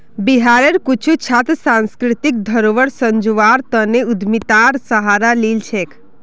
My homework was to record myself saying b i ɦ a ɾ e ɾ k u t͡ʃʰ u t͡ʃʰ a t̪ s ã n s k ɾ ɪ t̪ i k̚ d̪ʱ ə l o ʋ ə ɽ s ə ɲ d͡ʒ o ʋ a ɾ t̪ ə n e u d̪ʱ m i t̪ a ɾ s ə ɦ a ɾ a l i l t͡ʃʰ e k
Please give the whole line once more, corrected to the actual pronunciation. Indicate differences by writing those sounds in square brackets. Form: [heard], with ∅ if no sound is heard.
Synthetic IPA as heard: b i ɦ a ɾ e ɾ k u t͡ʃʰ u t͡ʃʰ a t̪ s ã n s k ɾ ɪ t̪ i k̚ d̪ʱ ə [ɾ] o ʋ ə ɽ s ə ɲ d͡ʒ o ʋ a ɾ t̪ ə n e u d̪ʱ m i t̪ a ɾ s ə ɦ a ɾ a l i l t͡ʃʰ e k